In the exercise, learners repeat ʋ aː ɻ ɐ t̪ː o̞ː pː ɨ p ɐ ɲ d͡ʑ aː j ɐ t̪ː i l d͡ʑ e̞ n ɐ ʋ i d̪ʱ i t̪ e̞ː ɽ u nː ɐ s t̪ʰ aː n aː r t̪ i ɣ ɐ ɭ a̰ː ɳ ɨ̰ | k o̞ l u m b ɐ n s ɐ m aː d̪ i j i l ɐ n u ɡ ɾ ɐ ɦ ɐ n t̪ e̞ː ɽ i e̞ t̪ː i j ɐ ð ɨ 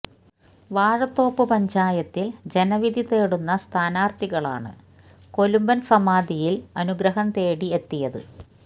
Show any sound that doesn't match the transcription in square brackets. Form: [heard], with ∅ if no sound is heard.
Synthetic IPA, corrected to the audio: ʋ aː ɻ ɐ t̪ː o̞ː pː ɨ p ɐ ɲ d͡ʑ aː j ɐ t̪ː i l d͡ʑ e̞ n ɐ ʋ i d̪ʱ i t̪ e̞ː ɽ u nː ɐ s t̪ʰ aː n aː r t̪ i ɣ ɐ ɭ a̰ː ɳ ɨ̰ | k o̞ l u m b ɐ n s ɐ m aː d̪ i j i l ɐ n u ɡ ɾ ɐ ɦ ɐ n t̪ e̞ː ɽ i e̞ t̪ː i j ɐ ð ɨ